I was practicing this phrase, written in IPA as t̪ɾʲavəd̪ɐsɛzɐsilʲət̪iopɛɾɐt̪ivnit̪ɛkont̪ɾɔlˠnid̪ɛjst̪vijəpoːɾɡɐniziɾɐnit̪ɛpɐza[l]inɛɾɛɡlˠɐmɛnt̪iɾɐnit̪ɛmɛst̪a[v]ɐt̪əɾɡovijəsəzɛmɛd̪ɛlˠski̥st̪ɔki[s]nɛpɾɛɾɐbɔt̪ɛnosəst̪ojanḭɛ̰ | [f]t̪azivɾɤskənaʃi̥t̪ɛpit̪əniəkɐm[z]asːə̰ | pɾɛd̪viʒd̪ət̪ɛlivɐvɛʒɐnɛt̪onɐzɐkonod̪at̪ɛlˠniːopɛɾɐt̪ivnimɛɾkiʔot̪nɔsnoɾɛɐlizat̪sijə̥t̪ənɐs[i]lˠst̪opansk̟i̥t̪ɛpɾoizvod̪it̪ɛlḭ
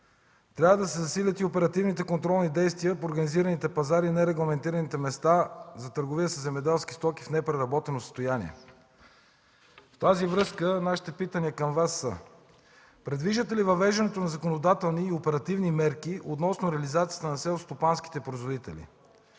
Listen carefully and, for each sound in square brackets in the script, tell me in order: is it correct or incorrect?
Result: incorrect: ɾ, incorrect: z, incorrect: f, correct, incorrect: v, incorrect: ɛ

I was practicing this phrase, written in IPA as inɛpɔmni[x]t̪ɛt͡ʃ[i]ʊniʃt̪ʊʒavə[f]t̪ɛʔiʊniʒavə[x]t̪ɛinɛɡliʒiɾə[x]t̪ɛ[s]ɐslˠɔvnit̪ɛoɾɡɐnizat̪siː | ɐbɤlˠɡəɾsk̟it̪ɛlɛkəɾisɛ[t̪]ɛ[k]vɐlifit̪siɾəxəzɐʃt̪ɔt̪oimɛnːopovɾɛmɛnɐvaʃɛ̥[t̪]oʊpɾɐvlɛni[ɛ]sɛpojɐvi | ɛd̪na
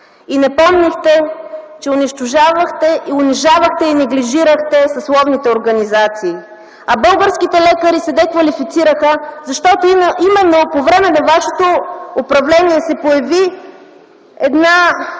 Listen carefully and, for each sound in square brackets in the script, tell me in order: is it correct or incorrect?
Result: correct, incorrect: ɛ, incorrect: x, correct, correct, correct, incorrect: d̪, correct, correct, correct

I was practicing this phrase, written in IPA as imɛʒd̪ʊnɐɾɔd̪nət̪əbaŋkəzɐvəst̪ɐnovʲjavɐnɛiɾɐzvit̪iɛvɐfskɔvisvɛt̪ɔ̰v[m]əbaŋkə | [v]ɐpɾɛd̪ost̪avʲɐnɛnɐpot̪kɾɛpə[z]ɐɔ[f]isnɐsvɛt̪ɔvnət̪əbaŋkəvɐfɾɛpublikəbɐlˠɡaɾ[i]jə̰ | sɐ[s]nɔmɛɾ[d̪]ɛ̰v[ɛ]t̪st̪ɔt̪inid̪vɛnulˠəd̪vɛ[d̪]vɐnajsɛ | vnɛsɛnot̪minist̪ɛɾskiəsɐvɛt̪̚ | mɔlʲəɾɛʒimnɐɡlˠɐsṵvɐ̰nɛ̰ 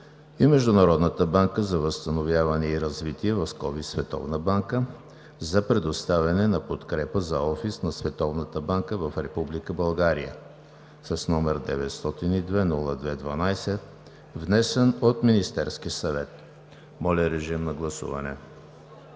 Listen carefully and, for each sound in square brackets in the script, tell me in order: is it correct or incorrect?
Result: incorrect: n, incorrect: z, correct, correct, correct, correct, correct, correct, correct

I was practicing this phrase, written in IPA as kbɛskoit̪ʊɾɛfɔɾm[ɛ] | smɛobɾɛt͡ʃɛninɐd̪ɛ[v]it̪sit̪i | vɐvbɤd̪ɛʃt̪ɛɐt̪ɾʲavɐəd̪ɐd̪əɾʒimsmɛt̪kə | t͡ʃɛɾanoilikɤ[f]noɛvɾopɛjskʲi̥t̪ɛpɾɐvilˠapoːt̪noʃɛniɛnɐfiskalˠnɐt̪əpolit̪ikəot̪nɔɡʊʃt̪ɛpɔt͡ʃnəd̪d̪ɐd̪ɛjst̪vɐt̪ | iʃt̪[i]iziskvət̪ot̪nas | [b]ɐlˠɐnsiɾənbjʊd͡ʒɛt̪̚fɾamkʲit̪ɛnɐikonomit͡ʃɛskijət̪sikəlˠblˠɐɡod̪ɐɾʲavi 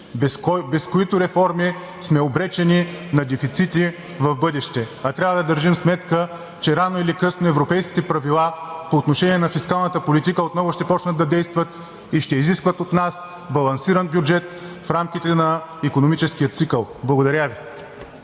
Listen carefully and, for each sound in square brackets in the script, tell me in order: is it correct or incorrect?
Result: incorrect: i, incorrect: f, incorrect: s, incorrect: ɛ, correct

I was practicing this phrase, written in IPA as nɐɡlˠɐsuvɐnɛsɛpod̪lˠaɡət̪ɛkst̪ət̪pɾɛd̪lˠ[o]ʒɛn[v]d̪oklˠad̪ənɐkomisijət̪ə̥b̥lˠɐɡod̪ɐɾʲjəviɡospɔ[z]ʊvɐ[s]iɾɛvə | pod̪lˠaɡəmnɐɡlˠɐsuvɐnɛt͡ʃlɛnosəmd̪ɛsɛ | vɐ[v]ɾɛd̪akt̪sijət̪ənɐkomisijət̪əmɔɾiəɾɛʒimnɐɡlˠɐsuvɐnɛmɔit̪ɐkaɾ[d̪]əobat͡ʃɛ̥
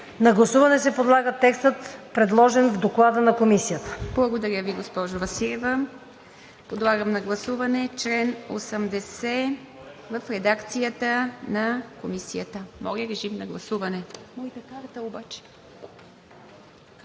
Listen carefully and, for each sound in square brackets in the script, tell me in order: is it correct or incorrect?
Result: incorrect: ɔ, correct, incorrect: ʒ, correct, incorrect: f, incorrect: t̪

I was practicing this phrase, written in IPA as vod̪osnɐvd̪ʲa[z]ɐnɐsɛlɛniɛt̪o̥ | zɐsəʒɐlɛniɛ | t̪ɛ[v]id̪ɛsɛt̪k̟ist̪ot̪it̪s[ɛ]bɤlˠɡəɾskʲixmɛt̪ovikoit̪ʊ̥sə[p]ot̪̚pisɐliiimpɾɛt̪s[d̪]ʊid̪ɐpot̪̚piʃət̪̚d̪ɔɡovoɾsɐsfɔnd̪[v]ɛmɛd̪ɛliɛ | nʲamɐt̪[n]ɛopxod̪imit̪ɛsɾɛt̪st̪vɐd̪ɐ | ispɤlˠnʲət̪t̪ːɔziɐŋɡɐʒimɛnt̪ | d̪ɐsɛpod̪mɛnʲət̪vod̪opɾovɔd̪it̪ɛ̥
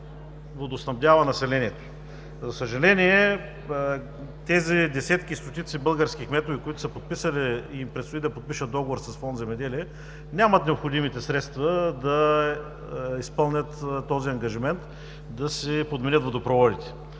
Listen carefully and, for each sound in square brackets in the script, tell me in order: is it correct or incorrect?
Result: incorrect: v, incorrect: z, incorrect: i, correct, incorrect: t̪, incorrect: z, correct

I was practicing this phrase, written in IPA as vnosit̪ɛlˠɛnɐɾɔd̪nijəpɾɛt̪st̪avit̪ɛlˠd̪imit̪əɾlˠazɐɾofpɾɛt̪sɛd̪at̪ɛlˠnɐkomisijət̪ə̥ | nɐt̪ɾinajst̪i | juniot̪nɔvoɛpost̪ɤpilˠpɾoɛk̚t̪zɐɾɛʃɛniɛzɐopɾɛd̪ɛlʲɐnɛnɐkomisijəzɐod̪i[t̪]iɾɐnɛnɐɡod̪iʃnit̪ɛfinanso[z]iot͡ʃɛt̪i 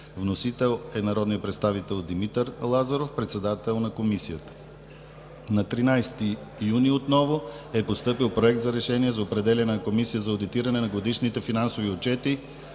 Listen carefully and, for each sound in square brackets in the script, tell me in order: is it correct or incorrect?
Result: correct, incorrect: v

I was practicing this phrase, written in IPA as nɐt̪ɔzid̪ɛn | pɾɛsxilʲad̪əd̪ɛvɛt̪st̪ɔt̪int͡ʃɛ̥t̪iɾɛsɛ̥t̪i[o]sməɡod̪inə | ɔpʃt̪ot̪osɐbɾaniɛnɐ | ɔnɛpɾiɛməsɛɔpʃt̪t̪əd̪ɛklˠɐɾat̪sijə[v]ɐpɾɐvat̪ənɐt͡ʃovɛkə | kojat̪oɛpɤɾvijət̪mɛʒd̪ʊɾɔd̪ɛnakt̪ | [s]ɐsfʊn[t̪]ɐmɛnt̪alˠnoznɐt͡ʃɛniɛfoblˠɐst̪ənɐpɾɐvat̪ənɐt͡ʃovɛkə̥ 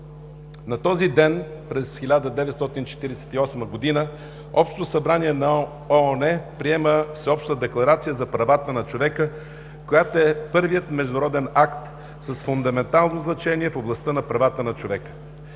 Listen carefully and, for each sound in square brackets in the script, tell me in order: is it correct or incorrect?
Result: incorrect: ɔ, incorrect: z, correct, incorrect: d̪

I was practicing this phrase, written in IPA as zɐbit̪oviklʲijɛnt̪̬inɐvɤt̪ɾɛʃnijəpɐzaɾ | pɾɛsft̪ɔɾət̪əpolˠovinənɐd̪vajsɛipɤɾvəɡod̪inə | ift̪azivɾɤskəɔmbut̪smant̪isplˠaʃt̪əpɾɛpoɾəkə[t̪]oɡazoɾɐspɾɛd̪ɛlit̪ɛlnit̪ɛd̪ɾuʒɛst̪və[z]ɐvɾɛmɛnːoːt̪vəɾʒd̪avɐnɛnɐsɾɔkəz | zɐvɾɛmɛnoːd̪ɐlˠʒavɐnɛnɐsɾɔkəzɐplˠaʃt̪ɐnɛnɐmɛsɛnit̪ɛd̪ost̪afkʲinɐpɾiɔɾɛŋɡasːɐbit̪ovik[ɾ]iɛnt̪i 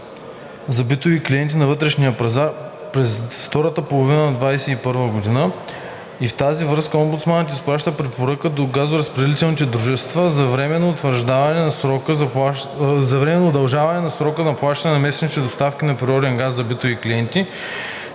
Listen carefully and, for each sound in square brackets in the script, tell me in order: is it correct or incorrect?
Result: incorrect: d̪, correct, incorrect: l

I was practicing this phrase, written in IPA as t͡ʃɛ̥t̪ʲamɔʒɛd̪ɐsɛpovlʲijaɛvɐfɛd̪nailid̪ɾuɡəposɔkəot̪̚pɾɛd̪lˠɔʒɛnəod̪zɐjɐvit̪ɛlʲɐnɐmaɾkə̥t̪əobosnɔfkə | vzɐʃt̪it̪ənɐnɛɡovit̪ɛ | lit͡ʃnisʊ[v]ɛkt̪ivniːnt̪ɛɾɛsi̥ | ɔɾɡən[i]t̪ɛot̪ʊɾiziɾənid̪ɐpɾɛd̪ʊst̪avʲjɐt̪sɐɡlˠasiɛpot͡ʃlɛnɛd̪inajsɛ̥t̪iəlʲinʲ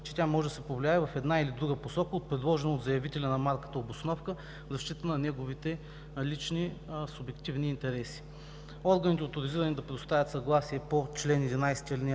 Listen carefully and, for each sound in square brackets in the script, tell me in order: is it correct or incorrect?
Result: incorrect: b, correct

